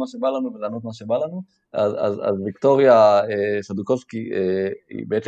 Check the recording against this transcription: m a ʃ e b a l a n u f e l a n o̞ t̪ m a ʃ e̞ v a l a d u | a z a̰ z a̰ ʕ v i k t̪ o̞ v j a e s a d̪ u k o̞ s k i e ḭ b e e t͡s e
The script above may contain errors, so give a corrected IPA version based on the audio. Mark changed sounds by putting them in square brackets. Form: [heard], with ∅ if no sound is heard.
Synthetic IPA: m a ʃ e b a l a n u [v] e l a n o̞ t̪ m a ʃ e̞ [b] a l a [n] u | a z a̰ z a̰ [z] v i k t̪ o̞ [ʁ] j a e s a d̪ u k o̞ s k i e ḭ b e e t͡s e